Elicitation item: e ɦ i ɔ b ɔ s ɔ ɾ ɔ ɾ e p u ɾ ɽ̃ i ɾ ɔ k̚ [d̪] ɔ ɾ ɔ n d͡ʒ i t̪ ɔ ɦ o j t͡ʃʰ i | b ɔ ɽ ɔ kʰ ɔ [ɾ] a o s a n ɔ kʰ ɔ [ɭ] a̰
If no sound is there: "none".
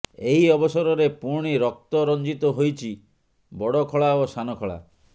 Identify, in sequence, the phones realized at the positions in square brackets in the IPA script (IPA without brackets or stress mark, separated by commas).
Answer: t̪, ɭ, ɭ